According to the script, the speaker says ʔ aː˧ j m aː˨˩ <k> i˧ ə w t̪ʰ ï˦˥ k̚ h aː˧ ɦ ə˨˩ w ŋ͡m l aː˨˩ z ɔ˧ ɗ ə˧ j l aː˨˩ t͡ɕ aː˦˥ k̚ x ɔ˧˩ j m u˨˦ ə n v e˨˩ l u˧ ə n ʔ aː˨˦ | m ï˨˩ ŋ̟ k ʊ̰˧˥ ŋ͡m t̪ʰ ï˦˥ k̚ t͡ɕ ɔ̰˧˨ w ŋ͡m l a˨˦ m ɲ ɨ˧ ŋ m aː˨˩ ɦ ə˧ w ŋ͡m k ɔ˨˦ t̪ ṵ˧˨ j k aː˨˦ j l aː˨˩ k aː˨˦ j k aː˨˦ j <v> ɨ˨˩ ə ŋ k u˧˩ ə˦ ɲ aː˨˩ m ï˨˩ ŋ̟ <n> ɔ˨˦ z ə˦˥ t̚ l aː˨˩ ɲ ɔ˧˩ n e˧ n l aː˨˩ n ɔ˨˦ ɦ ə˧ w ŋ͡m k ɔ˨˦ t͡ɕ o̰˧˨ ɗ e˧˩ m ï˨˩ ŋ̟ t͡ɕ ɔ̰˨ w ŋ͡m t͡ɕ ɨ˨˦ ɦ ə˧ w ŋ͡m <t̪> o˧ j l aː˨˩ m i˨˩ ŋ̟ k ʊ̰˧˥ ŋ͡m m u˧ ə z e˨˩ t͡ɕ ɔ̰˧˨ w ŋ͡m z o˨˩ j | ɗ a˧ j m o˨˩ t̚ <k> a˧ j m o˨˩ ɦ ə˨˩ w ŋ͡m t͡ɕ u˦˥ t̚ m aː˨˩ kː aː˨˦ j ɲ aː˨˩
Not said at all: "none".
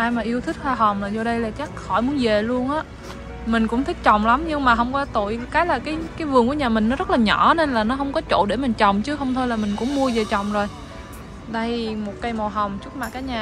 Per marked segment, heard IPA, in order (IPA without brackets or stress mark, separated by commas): ʔ, v, n, t̪ʰ, k